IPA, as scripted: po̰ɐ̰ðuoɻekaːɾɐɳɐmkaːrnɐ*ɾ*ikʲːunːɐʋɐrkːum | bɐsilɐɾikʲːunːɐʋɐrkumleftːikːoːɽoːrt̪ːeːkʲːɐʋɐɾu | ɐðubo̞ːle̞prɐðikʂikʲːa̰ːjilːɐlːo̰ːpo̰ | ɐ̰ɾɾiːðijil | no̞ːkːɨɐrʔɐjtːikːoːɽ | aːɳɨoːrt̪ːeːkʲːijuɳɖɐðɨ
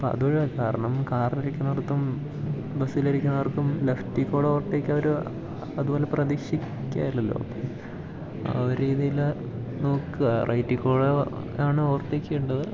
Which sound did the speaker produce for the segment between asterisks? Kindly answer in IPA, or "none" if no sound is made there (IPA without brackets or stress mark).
ɾ